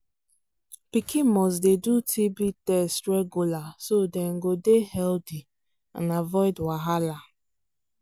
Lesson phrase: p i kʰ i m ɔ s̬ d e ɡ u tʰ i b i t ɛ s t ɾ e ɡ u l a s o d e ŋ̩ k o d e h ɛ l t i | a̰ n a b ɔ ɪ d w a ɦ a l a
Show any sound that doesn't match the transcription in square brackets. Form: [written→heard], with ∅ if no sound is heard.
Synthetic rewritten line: p i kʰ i m ɔ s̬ d e [ɡ→d] u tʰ i b i t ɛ s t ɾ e ɡ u l a s o d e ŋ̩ [k→ɡ] o d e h ɛ l [t→d] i | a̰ n a [b→v] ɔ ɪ d w a ɦ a l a